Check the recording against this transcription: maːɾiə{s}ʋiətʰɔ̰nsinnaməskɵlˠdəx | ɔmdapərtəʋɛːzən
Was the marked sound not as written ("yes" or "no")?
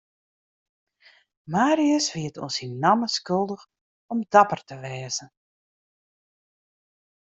no